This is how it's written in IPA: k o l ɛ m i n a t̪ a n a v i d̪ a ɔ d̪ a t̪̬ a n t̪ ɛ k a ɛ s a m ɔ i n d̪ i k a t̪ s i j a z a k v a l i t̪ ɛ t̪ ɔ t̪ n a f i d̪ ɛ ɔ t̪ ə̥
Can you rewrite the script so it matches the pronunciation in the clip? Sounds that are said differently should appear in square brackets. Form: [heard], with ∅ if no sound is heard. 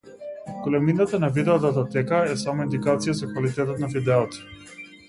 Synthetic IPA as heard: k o l ɛ m i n a t̪ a n a v i d̪ [ɛ] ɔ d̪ a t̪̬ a [∅] t̪ ɛ k a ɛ s a m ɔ i n d̪ i k a t̪ s i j a z a k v a l i t̪ ɛ t̪ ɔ t̪ n a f i d̪ ɛ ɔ t̪ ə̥